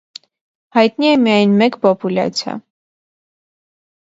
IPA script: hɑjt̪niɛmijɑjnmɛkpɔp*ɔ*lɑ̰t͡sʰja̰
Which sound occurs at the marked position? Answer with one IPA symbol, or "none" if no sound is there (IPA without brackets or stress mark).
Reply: u